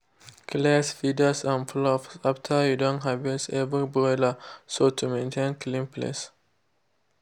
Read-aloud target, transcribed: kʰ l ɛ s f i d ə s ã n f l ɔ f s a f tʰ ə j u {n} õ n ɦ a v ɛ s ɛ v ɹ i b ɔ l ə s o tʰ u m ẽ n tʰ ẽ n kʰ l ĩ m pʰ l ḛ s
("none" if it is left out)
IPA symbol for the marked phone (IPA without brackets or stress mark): d